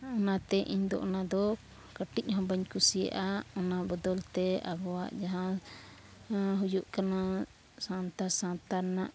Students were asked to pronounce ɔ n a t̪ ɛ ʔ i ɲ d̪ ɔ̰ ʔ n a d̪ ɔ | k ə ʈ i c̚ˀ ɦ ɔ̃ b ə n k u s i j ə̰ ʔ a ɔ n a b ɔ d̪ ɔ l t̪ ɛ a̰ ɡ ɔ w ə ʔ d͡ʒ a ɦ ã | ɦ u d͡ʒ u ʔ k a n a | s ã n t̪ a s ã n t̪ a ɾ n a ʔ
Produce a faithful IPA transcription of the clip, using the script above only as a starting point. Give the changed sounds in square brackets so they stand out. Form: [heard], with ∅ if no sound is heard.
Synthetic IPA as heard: ɔ n a t̪ ɛ ʔ i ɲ d̪ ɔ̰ ʔ n a d̪ ɔ | k ə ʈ i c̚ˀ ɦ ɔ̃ b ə [ɲ] k u s i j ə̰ ʔ a ɔ n a b ɔ d̪ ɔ l t̪ ɛ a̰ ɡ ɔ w [a] ʔ d͡ʒ a ɦ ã | ɦ u d͡ʒ u ʔ k a n a | s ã n t̪ a s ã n t̪ a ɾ n a ʔ